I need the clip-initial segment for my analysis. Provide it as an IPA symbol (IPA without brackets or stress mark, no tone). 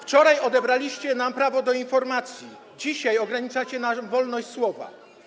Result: f